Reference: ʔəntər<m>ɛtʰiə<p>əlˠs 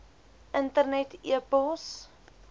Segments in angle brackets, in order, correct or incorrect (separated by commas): incorrect, correct